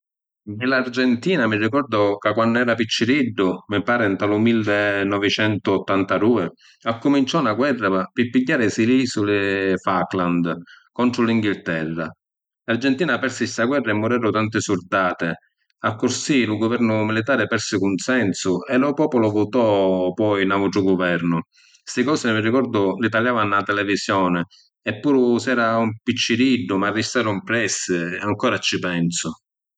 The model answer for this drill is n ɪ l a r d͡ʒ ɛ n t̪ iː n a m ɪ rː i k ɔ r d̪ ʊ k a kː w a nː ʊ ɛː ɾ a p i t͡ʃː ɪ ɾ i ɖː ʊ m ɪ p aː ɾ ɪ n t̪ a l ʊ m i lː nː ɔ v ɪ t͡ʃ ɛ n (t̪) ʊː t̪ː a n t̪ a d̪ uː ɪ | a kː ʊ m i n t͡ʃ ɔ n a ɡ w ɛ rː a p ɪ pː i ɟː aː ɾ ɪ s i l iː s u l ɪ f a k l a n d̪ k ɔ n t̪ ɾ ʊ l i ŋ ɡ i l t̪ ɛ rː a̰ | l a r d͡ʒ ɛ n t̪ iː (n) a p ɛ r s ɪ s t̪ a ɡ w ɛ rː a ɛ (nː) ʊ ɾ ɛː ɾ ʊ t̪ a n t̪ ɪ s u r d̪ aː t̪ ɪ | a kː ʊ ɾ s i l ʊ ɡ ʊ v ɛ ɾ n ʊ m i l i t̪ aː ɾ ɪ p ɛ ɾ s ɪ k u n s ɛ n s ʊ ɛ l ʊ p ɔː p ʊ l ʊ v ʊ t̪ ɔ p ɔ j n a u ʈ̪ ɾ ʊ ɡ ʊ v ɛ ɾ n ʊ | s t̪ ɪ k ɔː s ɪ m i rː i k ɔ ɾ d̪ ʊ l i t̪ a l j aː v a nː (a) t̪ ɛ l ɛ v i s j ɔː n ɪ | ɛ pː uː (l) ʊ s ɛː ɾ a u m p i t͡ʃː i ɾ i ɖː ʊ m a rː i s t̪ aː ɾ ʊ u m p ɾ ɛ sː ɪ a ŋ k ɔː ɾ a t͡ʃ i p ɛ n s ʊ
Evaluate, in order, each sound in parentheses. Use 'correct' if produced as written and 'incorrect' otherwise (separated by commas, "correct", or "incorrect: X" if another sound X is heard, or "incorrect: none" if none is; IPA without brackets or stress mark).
correct, correct, incorrect: mː, correct, incorrect: ɾ